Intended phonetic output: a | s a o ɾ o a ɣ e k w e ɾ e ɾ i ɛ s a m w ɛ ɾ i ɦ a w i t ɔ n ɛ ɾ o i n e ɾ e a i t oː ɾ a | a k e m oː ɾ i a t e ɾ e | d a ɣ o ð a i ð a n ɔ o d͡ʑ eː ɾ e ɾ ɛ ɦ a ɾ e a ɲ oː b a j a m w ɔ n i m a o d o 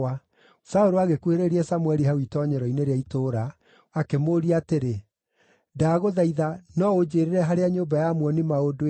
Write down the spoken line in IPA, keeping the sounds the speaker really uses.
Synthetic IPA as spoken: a | s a o ɾ o a ɣ e k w e ɾ e ɾ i ɛ s a m w ɛ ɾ i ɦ a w i t ɔ ɲ ɛ ɾ ɔ i n e ɾ e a i t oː ɾ a | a k e m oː ɾ i a t e ɾ e | d a ɣ o ð a i ð a n ɔ o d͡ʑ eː ɾ e ɾ ɛ ɦ a ɾ e a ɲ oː b a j a m w ɔ n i m a o d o